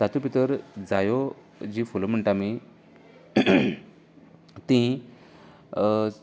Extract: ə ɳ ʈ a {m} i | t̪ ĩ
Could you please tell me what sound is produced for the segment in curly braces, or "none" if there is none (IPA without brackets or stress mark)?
m